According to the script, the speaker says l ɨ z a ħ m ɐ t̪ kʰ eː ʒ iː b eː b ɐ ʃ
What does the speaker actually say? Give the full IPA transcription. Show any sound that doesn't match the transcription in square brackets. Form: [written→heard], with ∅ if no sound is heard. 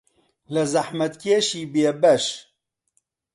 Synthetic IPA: l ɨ z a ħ m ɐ t̪ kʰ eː [ʒ→ʃ] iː b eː b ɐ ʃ

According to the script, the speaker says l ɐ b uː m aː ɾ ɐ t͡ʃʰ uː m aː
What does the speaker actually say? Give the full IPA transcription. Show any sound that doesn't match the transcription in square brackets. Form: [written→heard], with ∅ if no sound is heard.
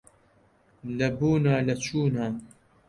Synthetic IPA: l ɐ b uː [m→n] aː [ɾ→l] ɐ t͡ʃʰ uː [m→n] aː

